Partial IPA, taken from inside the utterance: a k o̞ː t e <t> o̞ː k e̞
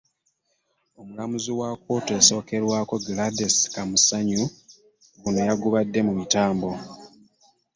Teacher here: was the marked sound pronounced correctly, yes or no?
no